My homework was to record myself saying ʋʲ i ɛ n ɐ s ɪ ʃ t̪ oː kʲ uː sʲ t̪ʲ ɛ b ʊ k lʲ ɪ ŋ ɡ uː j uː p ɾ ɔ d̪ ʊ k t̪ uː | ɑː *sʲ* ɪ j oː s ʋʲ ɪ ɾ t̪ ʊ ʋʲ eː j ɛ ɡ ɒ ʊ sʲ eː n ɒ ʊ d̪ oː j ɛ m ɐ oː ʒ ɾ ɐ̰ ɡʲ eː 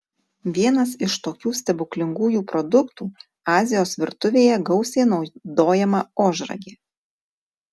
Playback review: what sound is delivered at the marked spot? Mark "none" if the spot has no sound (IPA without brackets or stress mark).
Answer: zʲ